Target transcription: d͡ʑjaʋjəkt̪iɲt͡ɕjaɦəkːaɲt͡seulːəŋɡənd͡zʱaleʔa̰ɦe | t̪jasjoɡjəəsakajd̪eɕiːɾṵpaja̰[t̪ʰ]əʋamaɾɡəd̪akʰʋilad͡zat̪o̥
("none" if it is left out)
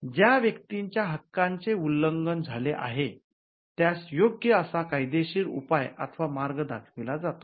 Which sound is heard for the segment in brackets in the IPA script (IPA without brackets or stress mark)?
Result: t̪ʰ